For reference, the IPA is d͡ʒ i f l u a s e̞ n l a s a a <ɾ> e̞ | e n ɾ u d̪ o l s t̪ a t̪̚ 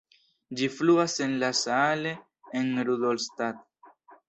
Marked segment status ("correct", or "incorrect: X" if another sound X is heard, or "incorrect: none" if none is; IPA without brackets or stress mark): incorrect: l